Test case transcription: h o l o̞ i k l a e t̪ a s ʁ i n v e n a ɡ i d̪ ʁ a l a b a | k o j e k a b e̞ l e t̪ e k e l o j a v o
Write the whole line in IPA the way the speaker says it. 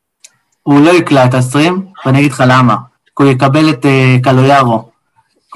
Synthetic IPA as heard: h u l o̞ i k l a e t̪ a s ʁ i m v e n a ɡ i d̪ χ a l a m a | k u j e k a b e̞ l e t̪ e k a l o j a ʁ o